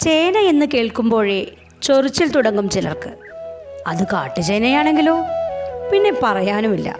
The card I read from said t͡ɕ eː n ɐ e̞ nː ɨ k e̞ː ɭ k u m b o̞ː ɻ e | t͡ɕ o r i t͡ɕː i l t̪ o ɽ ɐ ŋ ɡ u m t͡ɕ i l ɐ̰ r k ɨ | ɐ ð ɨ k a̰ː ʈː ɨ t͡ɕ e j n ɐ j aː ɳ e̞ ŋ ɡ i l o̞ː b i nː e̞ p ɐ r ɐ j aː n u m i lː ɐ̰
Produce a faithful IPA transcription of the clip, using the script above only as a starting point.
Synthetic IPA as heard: t͡ɕ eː n ɐ e̞ nː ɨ k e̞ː ɭ k u m b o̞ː ɻ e | t͡ɕ o r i t͡ɕː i l t̪ u ɽ ɐ ŋ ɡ u m t͡ɕ i l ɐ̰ r k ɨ | ɐ ð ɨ k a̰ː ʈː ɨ t͡ɕ e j n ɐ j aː ɳ e̞ ŋ ɡ i l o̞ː p i nː e̞ p ɐ r ɐ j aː n u m i lː ɐ̰